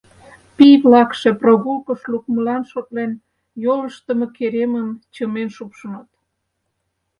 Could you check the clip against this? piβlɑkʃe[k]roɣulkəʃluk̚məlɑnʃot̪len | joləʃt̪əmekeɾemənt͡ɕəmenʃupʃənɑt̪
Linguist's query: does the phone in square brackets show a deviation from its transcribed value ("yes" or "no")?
yes